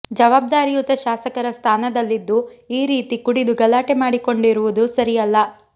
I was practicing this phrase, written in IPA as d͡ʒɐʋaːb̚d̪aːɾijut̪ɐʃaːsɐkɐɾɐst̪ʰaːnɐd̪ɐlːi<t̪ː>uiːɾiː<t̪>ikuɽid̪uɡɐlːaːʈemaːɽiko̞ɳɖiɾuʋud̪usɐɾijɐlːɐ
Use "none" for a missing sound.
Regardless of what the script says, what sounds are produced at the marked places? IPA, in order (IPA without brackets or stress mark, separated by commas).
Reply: d̪ː, t̪